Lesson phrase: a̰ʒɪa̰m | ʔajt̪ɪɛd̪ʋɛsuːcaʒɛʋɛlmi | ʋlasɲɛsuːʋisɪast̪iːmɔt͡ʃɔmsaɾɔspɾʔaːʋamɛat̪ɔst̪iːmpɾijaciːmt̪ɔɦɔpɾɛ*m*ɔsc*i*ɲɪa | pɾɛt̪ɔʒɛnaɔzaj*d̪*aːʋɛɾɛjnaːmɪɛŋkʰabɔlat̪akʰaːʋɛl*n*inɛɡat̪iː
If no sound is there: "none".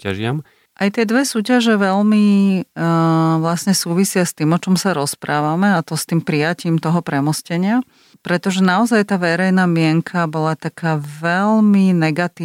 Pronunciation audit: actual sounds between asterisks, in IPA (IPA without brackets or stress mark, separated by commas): m, ɛ, t̪, m